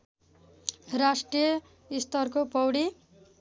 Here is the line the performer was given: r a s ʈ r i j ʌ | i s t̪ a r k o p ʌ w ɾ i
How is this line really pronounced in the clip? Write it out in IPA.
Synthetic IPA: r a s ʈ r i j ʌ | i s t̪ ʌ r k o p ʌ w ɽ i